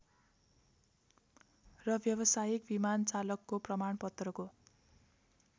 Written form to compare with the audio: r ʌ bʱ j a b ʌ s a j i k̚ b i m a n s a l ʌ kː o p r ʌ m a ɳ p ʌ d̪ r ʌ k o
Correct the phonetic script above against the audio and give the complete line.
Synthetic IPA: r ʌ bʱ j ʌ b ʌ s a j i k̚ b i m a n t͡s a l ʌ kː o p r ʌ m a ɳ p ʌ t̪ r ʌ k o

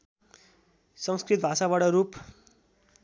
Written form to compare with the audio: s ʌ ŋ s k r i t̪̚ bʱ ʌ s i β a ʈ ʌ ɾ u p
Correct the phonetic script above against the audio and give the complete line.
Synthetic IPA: s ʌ ŋ s k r i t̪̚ bʱ a s a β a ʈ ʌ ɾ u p

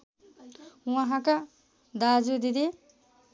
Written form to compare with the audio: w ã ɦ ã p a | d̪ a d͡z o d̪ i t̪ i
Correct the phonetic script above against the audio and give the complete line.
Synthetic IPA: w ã ɦ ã k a | d̪ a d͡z u d̪ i d̪ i

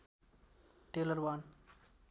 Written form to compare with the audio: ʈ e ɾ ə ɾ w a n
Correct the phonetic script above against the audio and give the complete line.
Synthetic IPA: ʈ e l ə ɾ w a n

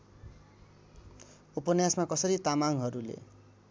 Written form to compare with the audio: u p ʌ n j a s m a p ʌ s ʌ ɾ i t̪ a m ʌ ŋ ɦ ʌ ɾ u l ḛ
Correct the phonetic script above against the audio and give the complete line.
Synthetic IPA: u p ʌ n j a s m a k ʌ s ʌ ɾ i t̪ a m a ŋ ɦ ʌ ɾ u l ḛ

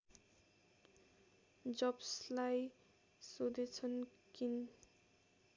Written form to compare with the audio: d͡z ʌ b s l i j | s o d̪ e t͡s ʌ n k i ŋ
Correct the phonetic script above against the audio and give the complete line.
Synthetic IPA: d͡z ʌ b s l a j | s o d̪ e t͡sʰ ʌ n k i n

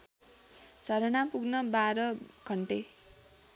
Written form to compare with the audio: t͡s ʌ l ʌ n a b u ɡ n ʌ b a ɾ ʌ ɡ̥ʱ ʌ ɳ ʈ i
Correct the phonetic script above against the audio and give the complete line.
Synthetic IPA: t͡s ʌ ɾ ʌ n a p u ɡ n ʌ b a ɾ ʌ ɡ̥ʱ ʌ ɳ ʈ e

